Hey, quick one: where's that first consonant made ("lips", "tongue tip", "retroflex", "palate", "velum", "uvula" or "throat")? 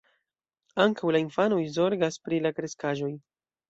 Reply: velum